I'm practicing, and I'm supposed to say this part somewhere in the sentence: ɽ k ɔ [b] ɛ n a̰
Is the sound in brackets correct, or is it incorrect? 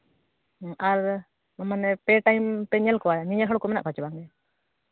incorrect: m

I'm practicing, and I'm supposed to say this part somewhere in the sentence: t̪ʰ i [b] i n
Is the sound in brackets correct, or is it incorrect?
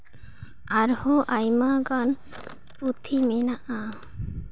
incorrect: m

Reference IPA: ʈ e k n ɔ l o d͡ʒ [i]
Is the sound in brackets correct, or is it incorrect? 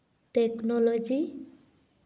correct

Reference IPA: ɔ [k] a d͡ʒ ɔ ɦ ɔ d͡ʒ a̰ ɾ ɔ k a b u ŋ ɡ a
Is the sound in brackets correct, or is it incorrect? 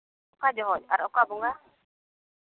correct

